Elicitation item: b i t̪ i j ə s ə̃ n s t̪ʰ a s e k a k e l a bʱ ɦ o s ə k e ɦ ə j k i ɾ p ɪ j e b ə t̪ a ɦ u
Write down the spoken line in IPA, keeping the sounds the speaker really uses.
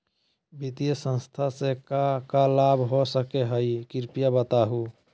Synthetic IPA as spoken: b i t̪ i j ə s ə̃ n s t̪ʰ a s e k a k a l a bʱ ɦ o s ə k e ɦ ə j k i ɾ p i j a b ə t̪ a ɦ u